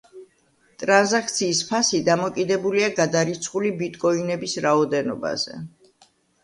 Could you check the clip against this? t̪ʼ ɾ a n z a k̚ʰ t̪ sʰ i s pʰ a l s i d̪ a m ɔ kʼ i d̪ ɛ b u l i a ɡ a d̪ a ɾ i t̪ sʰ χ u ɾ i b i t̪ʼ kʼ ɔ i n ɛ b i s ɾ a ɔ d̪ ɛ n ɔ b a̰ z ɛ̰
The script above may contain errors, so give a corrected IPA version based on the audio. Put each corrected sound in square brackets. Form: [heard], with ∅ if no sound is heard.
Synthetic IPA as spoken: t̪ʼ ɾ a n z a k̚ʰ t̪ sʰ [iː] s pʰ a [∅] s i d̪ a m ɔ kʼ i d̪ ɛ b u l i a ɡ a d̪ a ɾ i t̪ sʰ χ u [l] i b i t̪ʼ kʼ ɔ i n ɛ b i s ɾ a ɔ d̪ ɛ n ɔ b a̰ z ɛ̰